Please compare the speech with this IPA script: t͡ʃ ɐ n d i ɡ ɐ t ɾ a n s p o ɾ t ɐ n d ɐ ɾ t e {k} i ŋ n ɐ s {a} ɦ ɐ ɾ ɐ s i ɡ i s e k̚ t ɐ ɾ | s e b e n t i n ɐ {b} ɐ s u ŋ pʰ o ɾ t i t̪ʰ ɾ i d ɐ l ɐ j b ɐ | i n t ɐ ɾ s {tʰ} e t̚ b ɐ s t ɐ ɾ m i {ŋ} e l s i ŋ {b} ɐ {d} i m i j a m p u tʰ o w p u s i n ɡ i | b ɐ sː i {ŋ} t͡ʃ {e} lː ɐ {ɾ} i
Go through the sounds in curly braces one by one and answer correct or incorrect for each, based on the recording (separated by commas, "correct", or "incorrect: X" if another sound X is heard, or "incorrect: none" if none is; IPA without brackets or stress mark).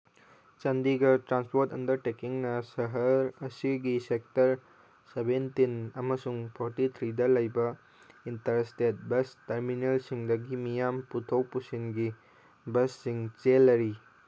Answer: correct, incorrect: ɐ, incorrect: m, incorrect: t, incorrect: n, incorrect: d, incorrect: ɡ, correct, correct, correct